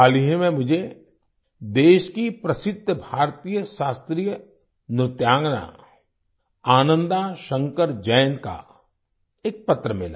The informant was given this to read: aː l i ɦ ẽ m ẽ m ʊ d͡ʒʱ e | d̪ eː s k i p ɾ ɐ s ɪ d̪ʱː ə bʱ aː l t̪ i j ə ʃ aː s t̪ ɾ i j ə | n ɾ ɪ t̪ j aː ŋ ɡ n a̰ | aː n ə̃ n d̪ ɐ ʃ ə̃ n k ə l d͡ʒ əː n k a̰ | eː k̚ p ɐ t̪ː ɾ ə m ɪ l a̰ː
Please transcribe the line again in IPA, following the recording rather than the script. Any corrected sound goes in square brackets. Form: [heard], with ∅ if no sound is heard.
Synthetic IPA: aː l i ɦ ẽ m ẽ m ʊ d͡ʒʱ e | d̪ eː [ʃ] k i p ɾ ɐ s ɪ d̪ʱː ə bʱ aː [ɾ] t̪ i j ə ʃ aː s t̪ ɾ i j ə | n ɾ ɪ t̪ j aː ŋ ɡ n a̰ | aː n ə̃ n d̪ [a] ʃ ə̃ [ŋ] k ə [ɾ] d͡ʒ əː n k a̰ | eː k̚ p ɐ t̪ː ɾ ə m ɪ l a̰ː